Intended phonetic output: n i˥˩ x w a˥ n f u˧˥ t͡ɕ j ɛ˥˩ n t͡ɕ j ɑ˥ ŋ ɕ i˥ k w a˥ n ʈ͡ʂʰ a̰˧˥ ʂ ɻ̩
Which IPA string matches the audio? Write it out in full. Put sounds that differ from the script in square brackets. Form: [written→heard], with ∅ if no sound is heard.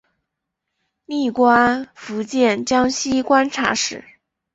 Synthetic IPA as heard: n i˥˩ [x→k] w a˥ n f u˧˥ t͡ɕ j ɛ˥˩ n t͡ɕ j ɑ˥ ŋ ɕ i˥ k w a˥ n ʈ͡ʂʰ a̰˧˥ ʂ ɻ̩